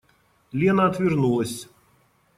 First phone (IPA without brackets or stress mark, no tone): lʲ